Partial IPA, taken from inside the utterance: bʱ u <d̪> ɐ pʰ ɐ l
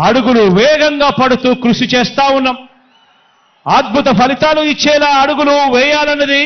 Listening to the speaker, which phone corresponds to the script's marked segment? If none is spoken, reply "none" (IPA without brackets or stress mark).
t̪